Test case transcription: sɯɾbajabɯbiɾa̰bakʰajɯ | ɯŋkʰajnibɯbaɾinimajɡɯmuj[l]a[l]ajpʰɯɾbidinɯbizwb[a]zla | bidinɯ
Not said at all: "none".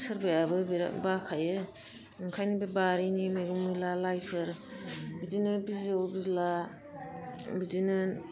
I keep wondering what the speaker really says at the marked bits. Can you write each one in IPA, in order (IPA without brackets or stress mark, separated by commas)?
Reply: l, l, i